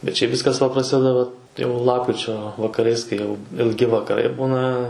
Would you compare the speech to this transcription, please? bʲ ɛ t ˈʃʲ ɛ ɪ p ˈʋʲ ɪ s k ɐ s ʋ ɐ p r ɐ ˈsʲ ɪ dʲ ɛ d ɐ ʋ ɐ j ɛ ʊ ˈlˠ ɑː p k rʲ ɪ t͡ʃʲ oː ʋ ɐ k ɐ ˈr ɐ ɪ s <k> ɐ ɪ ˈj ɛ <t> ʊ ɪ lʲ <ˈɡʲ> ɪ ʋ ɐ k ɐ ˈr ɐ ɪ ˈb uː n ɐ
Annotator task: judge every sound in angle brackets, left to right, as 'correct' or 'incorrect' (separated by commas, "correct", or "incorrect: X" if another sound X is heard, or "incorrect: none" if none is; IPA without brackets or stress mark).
correct, incorrect: none, correct